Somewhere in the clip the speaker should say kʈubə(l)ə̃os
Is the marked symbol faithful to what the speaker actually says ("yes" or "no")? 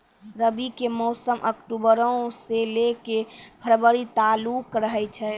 no